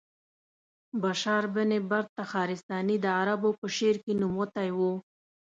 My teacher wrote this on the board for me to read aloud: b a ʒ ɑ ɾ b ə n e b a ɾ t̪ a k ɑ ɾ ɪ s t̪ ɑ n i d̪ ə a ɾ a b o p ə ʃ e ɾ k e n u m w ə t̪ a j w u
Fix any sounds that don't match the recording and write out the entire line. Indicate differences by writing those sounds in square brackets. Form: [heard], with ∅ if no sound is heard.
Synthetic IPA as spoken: b a [ʃ] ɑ ɾ b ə n e b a ɾ t̪ a [x] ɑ ɾ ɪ s t̪ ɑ n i d̪ ə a ɾ a b o p ə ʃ e ɾ k e n u m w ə t̪ a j w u